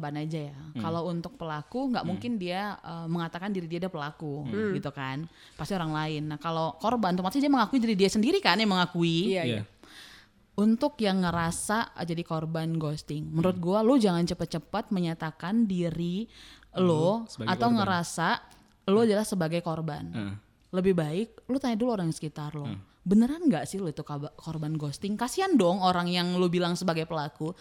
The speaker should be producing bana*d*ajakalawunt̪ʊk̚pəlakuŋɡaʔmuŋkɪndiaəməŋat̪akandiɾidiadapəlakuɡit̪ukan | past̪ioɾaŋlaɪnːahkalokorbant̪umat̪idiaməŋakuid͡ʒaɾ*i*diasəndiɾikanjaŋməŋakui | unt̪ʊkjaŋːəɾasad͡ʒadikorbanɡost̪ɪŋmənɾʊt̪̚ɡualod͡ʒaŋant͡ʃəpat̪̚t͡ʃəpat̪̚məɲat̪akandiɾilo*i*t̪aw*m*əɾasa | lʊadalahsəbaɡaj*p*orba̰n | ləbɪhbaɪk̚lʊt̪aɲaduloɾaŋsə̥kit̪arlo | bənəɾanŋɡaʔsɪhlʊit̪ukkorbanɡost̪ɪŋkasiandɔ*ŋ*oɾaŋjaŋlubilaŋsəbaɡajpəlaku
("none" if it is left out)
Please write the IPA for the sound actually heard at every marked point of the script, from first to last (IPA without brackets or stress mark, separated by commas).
d͡ʒ, i, a, ŋ, k, ŋ